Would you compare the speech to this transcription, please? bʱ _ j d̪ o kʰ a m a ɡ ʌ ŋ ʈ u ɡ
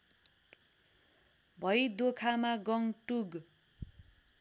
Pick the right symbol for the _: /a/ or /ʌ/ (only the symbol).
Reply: ʌ